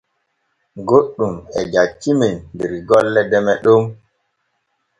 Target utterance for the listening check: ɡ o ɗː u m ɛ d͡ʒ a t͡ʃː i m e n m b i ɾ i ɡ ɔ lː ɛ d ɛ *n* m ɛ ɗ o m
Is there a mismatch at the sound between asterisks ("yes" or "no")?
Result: yes